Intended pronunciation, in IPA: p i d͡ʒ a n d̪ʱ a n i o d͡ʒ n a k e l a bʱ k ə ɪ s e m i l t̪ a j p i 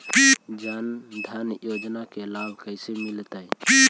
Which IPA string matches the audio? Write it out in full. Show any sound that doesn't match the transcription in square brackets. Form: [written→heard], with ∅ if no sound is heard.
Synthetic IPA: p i d͡ʒ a n d̪ʱ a n [i→j] o d͡ʒ n a k e l a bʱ k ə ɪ s e m i l t̪ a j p i